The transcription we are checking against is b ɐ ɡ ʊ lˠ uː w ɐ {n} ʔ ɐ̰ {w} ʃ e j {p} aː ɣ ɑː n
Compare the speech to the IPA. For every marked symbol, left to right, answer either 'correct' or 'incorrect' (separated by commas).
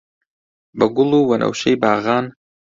correct, correct, incorrect